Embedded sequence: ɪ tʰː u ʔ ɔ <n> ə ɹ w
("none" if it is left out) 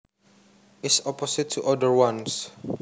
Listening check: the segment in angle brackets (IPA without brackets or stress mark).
d